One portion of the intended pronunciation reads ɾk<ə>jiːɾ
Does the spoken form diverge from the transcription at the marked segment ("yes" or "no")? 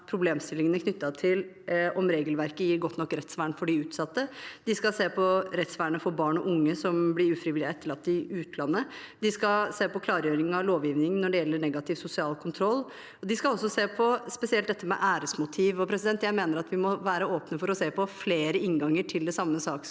no